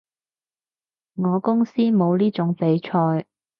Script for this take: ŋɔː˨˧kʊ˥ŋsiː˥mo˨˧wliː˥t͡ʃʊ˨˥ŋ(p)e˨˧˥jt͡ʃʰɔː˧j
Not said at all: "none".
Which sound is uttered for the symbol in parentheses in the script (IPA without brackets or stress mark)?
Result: p